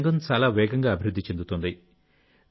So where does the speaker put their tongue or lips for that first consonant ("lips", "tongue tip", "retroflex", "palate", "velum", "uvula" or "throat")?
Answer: velum